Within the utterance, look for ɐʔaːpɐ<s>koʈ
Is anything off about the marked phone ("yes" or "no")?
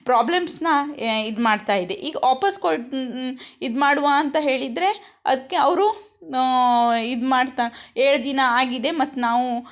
no